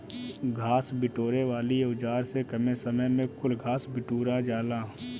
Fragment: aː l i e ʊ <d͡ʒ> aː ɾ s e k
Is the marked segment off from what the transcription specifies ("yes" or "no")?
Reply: no